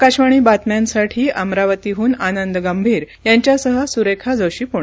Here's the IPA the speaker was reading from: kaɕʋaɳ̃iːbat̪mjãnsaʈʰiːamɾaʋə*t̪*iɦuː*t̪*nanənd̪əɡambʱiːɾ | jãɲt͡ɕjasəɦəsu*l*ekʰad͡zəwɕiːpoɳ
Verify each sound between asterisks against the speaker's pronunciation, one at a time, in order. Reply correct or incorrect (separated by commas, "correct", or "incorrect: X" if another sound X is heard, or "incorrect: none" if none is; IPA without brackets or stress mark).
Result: correct, incorrect: none, incorrect: ɾ